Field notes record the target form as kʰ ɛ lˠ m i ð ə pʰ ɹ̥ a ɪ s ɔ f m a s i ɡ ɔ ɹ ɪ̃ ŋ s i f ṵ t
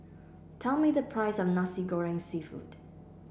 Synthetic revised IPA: tʰ ɛ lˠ m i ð ə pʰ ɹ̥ a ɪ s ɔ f n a s i ɡ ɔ ɹ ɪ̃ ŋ s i f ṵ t